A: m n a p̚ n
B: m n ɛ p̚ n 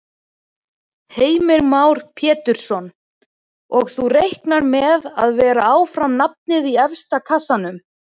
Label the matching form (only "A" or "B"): A